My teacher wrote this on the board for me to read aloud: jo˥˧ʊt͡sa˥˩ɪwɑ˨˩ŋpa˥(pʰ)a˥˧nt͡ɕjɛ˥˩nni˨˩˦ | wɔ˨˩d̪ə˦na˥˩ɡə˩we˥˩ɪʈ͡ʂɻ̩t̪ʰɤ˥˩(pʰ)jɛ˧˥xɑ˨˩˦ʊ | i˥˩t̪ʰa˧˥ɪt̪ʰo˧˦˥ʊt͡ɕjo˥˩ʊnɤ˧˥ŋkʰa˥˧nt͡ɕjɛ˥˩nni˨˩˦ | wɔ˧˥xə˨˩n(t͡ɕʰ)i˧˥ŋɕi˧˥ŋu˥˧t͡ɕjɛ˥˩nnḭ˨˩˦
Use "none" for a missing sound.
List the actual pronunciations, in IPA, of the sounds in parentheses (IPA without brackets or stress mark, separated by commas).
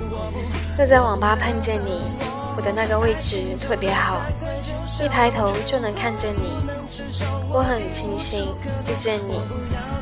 pʰ, p, t͡ɕʰ